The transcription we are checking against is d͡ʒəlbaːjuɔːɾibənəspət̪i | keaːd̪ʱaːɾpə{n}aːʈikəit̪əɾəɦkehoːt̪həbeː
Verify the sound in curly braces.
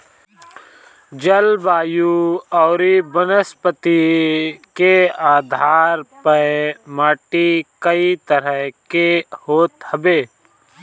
incorrect: m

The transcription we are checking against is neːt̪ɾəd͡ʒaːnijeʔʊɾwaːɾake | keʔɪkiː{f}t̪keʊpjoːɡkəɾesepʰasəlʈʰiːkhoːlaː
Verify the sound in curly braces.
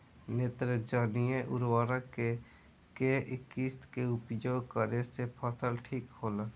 incorrect: s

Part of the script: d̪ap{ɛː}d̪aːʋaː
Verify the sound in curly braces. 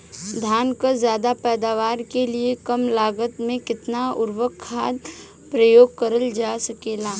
correct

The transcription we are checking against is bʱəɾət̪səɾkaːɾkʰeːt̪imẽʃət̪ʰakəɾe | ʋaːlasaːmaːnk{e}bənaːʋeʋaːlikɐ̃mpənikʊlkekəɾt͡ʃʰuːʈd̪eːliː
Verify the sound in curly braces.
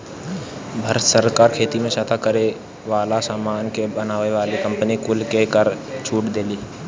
correct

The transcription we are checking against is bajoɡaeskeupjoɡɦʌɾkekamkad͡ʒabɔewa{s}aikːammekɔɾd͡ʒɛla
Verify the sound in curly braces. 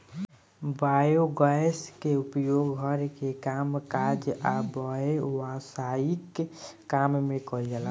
correct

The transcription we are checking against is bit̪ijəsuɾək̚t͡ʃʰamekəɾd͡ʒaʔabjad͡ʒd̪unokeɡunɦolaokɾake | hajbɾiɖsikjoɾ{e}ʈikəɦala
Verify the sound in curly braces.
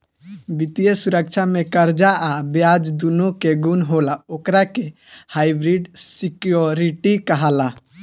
incorrect: i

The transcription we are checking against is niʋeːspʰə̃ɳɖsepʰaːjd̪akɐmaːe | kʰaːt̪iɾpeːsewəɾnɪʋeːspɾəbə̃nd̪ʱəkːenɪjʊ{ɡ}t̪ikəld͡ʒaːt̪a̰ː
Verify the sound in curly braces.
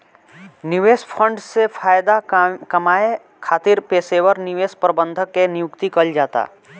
incorrect: k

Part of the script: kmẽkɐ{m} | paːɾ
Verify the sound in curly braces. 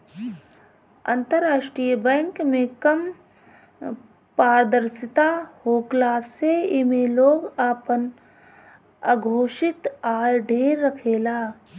correct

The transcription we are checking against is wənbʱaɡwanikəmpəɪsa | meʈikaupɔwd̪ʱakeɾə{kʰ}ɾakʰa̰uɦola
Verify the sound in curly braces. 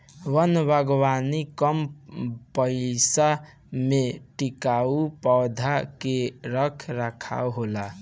correct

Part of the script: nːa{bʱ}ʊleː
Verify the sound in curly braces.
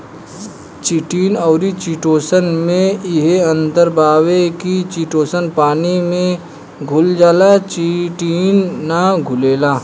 incorrect: ɡʱ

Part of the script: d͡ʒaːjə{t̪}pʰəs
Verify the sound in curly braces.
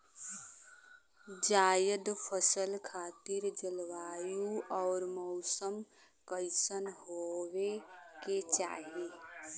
incorrect: d̪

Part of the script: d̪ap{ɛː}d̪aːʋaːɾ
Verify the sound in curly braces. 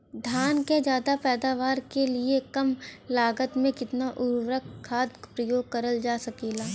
correct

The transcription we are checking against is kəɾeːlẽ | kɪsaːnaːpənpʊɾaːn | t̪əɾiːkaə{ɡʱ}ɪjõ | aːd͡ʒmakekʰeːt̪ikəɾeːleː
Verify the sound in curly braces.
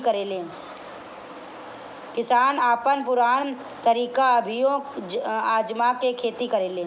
incorrect: bʱ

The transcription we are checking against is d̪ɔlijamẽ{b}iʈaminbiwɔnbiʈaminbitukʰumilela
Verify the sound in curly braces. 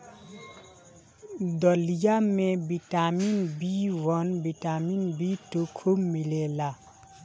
correct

